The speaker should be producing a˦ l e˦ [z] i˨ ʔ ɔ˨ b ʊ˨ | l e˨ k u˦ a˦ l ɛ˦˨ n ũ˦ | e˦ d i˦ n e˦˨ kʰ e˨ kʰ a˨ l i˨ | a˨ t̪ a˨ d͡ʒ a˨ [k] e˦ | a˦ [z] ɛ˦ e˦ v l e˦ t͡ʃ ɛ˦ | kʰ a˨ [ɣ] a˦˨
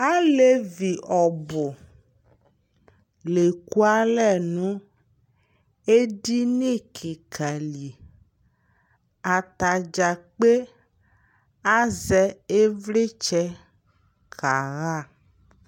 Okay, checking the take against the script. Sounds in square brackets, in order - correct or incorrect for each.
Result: incorrect: v, incorrect: k͡p, correct, correct

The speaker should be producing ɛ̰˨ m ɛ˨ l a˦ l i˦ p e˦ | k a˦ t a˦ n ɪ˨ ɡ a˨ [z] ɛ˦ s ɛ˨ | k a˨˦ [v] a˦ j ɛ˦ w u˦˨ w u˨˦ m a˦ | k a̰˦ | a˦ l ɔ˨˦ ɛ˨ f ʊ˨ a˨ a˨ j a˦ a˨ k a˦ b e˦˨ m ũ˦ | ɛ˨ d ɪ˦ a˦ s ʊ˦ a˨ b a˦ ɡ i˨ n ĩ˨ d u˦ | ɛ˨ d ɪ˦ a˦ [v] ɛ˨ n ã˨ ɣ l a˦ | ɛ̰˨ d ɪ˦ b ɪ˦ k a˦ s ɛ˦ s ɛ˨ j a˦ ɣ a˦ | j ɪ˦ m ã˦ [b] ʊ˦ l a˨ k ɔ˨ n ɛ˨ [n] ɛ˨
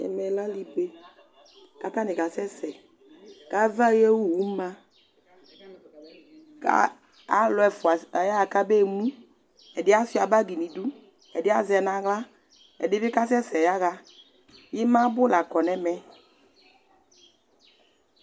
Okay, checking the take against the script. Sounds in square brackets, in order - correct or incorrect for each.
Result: incorrect: s, correct, incorrect: z, correct, incorrect: m

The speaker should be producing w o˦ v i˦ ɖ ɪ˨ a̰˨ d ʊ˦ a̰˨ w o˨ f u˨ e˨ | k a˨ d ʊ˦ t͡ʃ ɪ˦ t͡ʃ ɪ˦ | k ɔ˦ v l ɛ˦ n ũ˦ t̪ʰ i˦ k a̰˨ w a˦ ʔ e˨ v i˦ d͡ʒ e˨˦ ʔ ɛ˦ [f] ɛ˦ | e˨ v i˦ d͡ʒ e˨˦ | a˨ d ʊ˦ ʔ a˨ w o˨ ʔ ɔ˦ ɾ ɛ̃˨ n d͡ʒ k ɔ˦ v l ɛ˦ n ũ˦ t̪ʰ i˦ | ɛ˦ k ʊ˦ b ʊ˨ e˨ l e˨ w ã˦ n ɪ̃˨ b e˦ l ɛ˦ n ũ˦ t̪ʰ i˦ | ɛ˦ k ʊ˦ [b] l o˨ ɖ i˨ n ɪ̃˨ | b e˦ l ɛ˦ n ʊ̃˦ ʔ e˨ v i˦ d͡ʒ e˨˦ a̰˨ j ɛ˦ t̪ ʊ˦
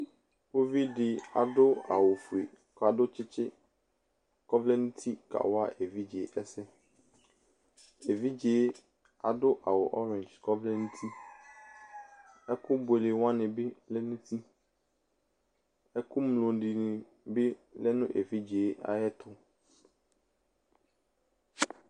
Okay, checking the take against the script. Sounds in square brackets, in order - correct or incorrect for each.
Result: incorrect: s, incorrect: m

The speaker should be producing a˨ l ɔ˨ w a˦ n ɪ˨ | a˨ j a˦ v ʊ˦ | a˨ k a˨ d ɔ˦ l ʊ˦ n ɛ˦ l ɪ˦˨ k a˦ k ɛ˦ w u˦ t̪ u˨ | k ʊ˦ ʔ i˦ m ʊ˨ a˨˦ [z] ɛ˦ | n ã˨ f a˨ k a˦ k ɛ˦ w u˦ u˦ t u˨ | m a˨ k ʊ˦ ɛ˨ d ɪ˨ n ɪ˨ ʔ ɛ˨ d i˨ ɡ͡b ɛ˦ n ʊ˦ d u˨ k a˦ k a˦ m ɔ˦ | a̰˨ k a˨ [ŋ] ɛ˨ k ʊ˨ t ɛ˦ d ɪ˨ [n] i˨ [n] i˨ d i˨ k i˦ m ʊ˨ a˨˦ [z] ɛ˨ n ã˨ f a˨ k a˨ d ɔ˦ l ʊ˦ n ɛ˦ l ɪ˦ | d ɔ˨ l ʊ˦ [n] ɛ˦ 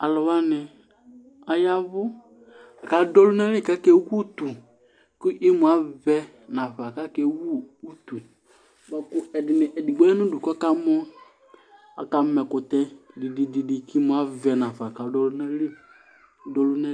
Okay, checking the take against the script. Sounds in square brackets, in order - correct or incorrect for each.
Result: incorrect: v, incorrect: m, incorrect: d, incorrect: d, incorrect: v, correct

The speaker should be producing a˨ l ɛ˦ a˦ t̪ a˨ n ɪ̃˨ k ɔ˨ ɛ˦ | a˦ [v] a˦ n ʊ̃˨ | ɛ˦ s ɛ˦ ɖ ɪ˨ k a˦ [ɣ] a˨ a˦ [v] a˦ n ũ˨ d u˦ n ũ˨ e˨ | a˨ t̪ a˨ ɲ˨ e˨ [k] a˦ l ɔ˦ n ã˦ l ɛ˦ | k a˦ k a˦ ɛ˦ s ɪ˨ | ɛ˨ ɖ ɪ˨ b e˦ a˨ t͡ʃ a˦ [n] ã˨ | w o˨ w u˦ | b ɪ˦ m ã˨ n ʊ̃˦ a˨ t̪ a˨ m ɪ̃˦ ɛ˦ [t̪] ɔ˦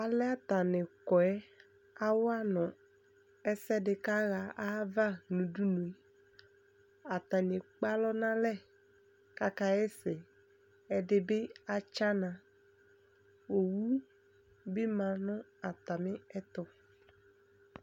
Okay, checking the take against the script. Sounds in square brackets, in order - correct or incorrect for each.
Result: incorrect: w, correct, correct, incorrect: k͡p, correct, correct

